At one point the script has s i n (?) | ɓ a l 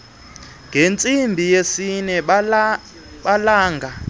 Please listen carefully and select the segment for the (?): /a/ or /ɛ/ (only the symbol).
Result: ɛ